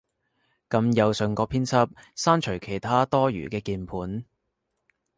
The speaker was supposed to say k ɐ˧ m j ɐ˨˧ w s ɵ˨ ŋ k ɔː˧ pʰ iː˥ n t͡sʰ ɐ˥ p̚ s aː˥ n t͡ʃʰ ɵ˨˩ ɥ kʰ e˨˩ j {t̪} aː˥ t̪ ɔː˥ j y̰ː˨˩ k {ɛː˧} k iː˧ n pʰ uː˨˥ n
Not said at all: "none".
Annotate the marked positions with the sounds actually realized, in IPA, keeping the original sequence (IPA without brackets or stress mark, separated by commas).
t̪ʰ, ɛː˧